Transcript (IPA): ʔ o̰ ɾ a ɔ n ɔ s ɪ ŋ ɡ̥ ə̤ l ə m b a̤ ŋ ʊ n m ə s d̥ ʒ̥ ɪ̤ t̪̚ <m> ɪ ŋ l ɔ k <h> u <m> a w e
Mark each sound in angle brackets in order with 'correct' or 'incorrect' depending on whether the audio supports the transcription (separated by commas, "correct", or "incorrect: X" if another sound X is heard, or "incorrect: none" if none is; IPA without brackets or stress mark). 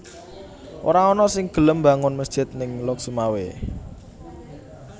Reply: incorrect: n, incorrect: s, correct